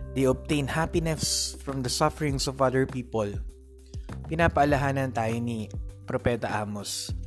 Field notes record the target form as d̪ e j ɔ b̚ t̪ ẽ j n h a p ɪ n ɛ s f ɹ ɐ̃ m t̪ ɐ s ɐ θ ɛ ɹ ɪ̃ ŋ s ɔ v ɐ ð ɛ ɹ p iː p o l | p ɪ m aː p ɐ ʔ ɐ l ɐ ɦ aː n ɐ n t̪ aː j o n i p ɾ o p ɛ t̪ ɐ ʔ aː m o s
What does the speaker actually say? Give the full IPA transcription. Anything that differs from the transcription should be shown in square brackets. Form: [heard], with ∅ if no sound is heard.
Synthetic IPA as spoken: d̪ e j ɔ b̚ t̪ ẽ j n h a p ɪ n ɛ s f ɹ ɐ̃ m [d̪] ɐ s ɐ [f] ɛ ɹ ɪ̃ ŋ s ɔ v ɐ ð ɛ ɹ p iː p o l | p ɪ [n] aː p ɐ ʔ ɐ l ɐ ɦ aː n ɐ n t̪ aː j o n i p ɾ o p ɛ t̪ ɐ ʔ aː m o s